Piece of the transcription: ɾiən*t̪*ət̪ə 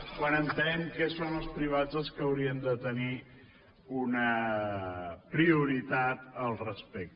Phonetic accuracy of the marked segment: incorrect: d̪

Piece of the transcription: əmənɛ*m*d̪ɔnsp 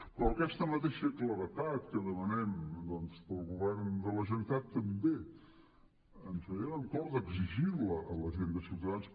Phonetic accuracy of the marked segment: correct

